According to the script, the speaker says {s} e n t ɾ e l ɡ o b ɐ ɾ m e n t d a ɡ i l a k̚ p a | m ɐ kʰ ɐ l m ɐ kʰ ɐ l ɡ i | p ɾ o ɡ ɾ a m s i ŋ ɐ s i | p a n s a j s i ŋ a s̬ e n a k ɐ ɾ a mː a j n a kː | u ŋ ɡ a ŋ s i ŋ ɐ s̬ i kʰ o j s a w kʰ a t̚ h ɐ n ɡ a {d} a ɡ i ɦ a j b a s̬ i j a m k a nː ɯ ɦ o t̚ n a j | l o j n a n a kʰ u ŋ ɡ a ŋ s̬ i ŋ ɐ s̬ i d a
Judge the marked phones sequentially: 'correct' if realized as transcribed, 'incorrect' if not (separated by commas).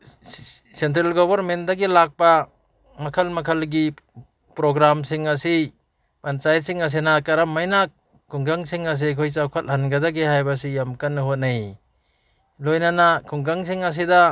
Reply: correct, correct